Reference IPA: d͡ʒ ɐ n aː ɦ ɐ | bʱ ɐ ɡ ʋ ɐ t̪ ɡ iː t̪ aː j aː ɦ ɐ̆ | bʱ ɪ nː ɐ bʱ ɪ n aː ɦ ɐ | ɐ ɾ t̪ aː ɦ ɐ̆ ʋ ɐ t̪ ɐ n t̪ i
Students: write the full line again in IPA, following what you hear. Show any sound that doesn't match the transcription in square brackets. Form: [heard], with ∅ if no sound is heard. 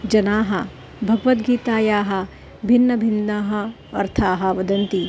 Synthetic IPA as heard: d͡ʒ ɐ n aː ɦ ɐ | bʱ ɐ ɡ ʋ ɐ t̪ ɡ iː t̪ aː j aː ɦ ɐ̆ | bʱ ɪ nː ɐ bʱ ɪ n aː ɦ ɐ | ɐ ɾ [t̪ʰ] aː ɦ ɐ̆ ʋ ɐ [d̪] ɐ n t̪ i